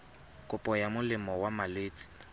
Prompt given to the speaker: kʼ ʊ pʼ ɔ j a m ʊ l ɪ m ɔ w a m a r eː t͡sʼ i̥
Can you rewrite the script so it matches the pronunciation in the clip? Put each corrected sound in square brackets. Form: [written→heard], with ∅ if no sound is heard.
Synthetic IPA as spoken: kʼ ʊ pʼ ɔ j a m ʊ l ɪ m ɔ w a m a [r→l] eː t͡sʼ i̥